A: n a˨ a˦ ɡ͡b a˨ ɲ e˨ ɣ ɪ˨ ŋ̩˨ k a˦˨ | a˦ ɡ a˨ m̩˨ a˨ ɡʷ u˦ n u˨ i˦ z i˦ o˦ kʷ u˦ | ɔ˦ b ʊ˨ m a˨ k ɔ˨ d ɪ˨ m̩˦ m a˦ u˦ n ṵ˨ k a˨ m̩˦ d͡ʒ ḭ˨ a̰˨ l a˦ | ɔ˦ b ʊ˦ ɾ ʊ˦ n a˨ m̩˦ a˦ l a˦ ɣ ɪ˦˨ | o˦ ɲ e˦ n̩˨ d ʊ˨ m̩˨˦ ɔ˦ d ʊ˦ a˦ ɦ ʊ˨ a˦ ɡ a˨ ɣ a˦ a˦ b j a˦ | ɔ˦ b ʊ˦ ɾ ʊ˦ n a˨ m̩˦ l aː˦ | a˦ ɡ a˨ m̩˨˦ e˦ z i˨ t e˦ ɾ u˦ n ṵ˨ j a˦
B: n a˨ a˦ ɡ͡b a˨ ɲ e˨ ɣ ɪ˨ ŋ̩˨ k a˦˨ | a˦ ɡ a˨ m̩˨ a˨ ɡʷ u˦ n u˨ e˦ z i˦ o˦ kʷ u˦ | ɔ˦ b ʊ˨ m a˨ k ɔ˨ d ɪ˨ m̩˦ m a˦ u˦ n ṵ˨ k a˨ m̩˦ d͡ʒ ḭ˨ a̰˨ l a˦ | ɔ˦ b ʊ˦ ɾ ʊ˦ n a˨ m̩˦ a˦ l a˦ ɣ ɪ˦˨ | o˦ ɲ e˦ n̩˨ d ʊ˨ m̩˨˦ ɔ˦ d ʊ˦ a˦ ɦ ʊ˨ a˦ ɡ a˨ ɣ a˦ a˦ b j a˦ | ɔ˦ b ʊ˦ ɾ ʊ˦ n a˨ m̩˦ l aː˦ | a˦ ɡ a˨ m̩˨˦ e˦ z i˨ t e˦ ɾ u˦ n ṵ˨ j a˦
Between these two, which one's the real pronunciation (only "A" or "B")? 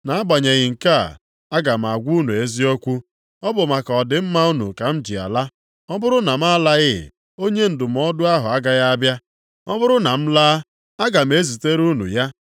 B